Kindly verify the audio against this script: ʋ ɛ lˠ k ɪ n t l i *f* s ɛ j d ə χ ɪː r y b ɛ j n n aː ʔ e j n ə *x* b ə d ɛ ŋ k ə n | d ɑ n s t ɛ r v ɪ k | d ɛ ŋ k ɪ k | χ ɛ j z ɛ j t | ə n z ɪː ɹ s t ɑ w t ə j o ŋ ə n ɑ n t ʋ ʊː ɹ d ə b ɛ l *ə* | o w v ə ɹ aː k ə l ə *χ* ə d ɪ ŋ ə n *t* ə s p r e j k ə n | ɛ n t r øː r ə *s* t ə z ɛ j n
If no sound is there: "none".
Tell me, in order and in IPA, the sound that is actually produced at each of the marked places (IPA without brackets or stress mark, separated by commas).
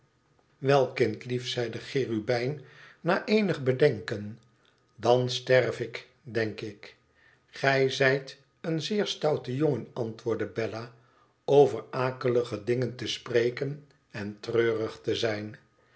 f, χ, a, χ, t, χ